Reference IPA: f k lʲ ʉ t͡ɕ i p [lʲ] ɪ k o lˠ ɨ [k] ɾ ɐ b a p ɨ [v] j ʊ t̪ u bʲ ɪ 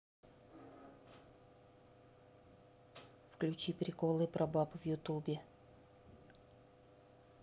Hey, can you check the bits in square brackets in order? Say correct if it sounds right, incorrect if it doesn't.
incorrect, incorrect, correct

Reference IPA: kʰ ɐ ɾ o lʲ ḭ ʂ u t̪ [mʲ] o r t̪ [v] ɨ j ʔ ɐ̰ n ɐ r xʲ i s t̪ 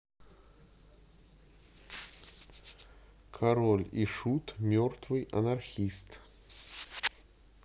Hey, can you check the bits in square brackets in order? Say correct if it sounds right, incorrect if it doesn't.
correct, correct

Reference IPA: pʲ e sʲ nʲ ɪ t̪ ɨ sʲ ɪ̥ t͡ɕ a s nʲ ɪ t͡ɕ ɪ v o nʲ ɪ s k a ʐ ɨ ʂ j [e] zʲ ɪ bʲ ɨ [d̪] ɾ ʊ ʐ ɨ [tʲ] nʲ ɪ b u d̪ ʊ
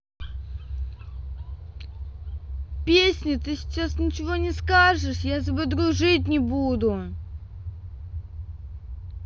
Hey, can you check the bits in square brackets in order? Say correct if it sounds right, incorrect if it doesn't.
incorrect, correct, correct

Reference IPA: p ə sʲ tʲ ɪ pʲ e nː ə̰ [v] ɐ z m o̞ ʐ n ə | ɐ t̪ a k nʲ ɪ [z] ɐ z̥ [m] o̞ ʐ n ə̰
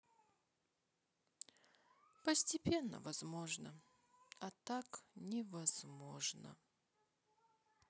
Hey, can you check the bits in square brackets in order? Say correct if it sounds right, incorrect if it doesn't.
correct, incorrect, correct

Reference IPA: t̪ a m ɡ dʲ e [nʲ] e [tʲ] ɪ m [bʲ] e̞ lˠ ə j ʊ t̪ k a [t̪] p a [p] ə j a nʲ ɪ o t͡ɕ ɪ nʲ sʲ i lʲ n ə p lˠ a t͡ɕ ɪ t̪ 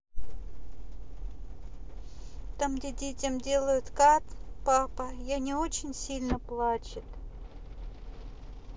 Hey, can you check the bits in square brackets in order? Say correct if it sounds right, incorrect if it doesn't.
incorrect, correct, incorrect, correct, correct

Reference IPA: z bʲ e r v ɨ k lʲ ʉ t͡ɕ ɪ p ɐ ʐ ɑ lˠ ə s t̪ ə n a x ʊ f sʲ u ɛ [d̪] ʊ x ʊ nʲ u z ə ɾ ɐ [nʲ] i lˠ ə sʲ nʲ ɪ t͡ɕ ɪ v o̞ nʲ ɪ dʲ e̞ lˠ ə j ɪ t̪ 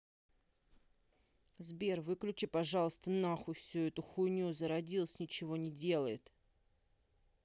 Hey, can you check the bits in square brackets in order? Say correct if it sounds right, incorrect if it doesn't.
incorrect, incorrect

